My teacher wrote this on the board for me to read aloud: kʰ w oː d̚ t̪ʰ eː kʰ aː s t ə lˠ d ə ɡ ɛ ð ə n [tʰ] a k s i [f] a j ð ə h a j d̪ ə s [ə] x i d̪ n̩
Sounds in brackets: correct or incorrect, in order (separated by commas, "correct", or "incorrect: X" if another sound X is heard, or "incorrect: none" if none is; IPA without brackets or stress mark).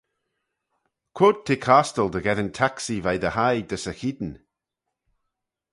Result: correct, incorrect: v, correct